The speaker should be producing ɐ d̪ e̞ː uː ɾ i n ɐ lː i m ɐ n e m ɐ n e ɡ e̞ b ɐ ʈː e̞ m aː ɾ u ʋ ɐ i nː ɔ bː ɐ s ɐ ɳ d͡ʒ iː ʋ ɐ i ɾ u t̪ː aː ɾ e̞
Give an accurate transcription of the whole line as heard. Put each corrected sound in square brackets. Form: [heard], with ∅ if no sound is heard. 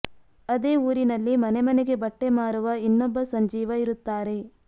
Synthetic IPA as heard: ɐ d̪ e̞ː uː ɾ i n ɐ lː i m ɐ n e m ɐ n e ɡ e̞ b ɐ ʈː e̞ m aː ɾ u ʋ ɐ i nː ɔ bː ɐ s ɐ [ɲ] d͡ʒ iː ʋ ɐ i ɾ u t̪ː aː ɾ e̞